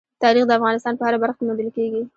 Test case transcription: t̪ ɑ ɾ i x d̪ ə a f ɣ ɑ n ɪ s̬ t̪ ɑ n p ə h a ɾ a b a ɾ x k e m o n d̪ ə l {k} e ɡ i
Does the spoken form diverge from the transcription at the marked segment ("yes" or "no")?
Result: no